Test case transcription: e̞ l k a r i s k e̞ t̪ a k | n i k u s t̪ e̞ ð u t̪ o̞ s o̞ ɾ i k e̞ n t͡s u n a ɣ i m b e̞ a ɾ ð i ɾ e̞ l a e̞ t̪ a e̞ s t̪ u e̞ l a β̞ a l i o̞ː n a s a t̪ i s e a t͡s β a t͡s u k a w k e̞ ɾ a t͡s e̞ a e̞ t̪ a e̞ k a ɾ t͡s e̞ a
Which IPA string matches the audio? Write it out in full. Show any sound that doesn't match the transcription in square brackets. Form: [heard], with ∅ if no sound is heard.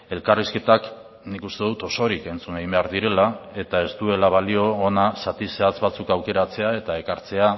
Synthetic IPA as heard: e̞ l k a r i s k e̞ t̪ a k | n i k u s t̪ e̞ ð u t̪ o̞ s o̞ ɾ i k e̞ n t͡s u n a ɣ i m b e̞ a ɾ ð i ɾ e̞ l a e̞ t̪ a e̞ s t̪ u e̞ l a β̞ a l i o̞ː n a s a t̪ i s e a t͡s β a t͡s u k a w k e̞ ɾ a t͡s e̞ a e̞ t̪ a e̞ k a ɾ t͡s e̞ a